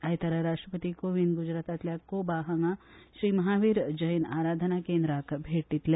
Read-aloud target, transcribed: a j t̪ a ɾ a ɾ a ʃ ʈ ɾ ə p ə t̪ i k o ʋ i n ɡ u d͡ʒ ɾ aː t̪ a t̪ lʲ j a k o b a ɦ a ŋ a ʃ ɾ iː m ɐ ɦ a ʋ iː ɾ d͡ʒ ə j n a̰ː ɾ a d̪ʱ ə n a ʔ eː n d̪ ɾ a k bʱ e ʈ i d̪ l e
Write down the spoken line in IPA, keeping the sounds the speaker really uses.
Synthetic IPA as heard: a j t̪ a ɾ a ɾ a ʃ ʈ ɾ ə p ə t̪ i k o ʋ i n ɡ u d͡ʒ ɾ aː t̪ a t̪ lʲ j a k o b a ɦ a ŋ a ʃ ɾ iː m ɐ ɦ a ʋ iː ɾ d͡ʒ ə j n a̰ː ɾ a d̪ʱ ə n a k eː n d̪ ɾ a k bʱ e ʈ i t̪ l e

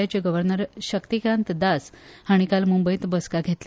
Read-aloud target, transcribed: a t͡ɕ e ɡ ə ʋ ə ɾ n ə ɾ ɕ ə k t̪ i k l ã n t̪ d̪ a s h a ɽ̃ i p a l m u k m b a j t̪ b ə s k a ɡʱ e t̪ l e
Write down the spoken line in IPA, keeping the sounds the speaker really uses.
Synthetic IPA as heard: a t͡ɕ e ɡ ə ʋ ə ɾ n ə ɾ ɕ ə k t̪ i k ɾ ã n t̪ d̪ a s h a ɽ̃ i k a l m u m b ə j t̪ b ə s k a ɡʱ e t̪ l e

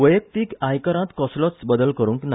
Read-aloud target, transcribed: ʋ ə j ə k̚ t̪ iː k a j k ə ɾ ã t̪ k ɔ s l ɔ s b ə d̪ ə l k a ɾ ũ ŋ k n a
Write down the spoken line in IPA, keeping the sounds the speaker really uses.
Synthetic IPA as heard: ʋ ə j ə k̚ t̪ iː k a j k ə ɾ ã t̪ k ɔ s l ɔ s b ə d̪ ə l k ə ɾ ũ ŋ k n a

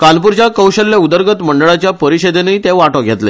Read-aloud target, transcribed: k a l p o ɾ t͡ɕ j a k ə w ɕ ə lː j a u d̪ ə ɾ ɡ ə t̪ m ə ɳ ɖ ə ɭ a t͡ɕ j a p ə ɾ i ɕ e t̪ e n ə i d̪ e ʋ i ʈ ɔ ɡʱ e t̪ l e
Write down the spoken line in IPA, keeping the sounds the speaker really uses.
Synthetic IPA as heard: k a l p u ɾ t͡ɕ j a k ə w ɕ ə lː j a u d̪ ə ɾ ɡ ə t̪ m ə ɳ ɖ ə ɭ a t͡ɕ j a p ə ɾ i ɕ e d̪ e n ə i t̪ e ʋ a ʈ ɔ ɡʱ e t̪ l e

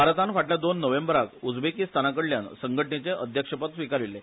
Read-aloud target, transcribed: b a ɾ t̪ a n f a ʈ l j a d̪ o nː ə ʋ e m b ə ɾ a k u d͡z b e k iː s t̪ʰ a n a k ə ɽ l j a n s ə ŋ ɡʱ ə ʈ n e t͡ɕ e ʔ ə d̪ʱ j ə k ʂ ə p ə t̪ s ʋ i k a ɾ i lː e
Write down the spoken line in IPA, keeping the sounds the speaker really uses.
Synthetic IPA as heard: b a ɾ t̪ a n f a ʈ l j a d̪ o nː ə ʋ e m b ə ɾ a k u d͡z b e k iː s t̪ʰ a n a k ə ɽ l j a n s ə ŋ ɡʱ ə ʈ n e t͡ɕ e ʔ ə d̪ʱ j ə k ʂ ə p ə t̪ s ʋ i k a ɾ i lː e

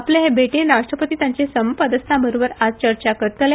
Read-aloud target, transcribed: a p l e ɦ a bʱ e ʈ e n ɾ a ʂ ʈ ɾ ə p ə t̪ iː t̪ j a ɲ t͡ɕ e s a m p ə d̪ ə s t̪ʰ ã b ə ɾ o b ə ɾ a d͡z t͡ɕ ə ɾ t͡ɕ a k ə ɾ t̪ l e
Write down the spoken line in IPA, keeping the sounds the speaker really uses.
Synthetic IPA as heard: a p l e ɦ e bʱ e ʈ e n ɾ a ʂ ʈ ɾ ə p ə t̪ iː t̪ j a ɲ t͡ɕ e s ə m p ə d̪ ə s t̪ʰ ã b ə ɾ o b ə ɾ a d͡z t͡ɕ ə ɾ t͡ɕ a k ə ɾ t̪ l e

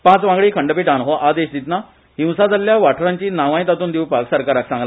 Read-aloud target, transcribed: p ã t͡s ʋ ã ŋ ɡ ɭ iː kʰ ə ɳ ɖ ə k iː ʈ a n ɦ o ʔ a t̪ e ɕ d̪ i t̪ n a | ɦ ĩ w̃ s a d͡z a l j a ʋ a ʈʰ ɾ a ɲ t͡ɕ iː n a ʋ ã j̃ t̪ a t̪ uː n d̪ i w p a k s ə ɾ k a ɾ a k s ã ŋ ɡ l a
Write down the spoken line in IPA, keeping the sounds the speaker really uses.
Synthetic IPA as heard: p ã t͡s ʋ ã ŋ ɡ ɭ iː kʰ ə ɳ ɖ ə p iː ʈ a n ɦ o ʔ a d̪ e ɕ d̪ i t̪ n a | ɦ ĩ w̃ s a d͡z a l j a ʋ a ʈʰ ɾ a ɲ t͡ɕ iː n a ʋ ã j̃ t̪ a t̪ uː n d̪ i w p a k s ə ɾ k a ɾ a k s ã ŋ ɡ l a

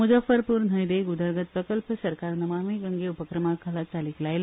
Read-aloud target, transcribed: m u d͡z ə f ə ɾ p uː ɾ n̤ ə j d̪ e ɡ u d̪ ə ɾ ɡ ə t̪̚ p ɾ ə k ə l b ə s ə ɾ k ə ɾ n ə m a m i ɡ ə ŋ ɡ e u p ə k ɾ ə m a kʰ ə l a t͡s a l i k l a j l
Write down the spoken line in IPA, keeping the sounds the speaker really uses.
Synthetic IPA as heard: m u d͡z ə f ə ɾ p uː ɾ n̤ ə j d̪ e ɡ u d̪ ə ɾ ɡ ə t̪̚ p ɾ ə k ə l p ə s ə ɾ k a ɾ n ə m a m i ɡ ə ŋ ɡ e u p ə k ɾ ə m a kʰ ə l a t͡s a l i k l a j l

